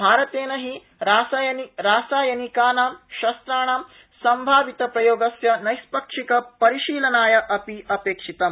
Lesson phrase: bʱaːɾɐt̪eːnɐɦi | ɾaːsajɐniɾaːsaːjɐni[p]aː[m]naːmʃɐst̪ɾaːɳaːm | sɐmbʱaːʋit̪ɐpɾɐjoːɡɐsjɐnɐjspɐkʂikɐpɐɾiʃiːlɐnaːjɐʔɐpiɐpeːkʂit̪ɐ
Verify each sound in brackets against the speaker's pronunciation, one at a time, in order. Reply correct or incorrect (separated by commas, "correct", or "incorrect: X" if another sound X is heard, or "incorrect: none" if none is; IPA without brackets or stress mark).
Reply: incorrect: k, incorrect: none